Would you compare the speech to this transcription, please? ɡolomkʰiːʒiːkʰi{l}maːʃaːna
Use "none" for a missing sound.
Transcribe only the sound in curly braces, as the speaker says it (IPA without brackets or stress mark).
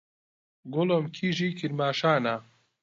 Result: ɾ